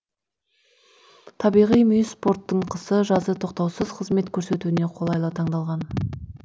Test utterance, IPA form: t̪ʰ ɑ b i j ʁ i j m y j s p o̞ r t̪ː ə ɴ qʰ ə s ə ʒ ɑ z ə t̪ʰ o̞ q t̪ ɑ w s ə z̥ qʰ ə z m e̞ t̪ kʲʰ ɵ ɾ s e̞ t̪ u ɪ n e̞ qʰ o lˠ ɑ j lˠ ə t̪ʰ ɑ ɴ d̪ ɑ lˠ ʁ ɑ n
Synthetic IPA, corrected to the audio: t̪ʰ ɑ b i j ʁ i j m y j s p o̞ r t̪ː ə ɴ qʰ ə s ə ʒ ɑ z ə t̪ʰ o̞ q t̪ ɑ w s ə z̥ qʰ ə z m e̞ t̪ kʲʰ ɵ ɾ s e̞ t̪ u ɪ n e̞ qʰ o lˠ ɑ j lˠ ə t̪ʰ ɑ ɴ d̪ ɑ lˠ ʁ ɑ n